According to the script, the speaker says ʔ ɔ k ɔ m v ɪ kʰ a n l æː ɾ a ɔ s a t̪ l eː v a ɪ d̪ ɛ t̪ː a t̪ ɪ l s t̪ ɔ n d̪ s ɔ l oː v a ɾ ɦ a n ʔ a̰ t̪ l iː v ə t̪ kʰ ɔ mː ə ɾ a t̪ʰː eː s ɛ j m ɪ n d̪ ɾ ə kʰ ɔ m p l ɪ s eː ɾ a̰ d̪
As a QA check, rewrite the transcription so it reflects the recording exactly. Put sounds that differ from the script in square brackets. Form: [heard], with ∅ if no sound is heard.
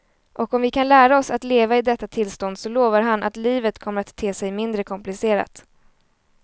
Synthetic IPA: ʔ ɔ k ɔ m v ɪ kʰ a n l æː ɾ a ɔ s a t̪ l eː v a ɪ d̪ ɛ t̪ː a [t̪ʰ] ɪ l s t̪ ɔ n d̪ s ɔ l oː v a ɾ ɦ a n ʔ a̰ t̪ l iː v ə t̪ kʰ ɔ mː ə ɾ a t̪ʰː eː s ɛ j m ɪ n d̪ ɾ ə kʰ ɔ m p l ɪ s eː ɾ a̰ [t̪]

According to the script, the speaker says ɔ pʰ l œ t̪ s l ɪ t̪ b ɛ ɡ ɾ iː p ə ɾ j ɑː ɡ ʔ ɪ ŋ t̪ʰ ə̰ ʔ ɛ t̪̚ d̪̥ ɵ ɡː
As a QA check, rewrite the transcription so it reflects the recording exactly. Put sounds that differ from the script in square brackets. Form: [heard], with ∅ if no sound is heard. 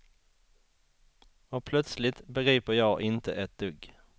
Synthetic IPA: ɔ pʰ l œ t̪ s l ɪ t̪ b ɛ ɡ ɾ iː p ə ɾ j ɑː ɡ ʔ ɪ [n] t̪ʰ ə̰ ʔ ɛ t̪̚ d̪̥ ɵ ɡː

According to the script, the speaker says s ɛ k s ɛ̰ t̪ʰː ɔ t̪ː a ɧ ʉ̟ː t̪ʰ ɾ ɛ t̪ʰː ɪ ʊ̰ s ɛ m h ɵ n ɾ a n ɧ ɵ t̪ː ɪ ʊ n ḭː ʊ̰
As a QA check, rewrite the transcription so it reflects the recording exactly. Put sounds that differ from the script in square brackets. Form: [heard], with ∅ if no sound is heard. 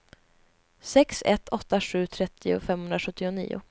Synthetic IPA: s ɛ k s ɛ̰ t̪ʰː ɔ t̪ː a ɧ ʉ̟ː t̪ʰ ɾ ɛ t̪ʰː ɪ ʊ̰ [f] ɛ m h ɵ n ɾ a [∅] ɧ ɵ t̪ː ɪ ʊ n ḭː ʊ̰

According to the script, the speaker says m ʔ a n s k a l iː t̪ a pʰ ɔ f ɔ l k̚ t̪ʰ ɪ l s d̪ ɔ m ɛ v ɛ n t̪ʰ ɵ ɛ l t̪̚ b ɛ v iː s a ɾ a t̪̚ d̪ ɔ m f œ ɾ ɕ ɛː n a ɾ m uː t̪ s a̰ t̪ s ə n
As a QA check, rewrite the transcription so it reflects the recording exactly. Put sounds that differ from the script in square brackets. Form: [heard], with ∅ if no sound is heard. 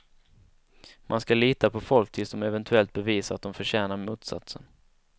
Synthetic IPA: m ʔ a n s k a l iː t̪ a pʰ ɔ f ɔ l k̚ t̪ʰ ɪ l s d̪ ɔ m ɛ v ɛ n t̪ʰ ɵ ɛ l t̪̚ b ɛ v iː s a ɾ a t̪̚ d̪ ɔ m f œ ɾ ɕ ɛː n a ɾ m uː t̪ s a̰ t̪ s ə n

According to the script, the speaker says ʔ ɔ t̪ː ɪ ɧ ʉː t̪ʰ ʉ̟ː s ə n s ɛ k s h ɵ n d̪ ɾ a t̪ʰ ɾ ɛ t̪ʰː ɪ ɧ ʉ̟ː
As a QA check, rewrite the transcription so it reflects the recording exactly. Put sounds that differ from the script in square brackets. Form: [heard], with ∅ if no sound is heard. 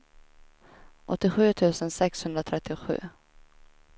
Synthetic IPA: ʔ ɔ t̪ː ɪ ɧ ʉː t̪ʰ ʉ̟ː s ə n s ɛ k s h ɵ n d̪ ɾ a t̪ʰ ɾ ɛ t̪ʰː ɪ ɧ ʉ̟ː

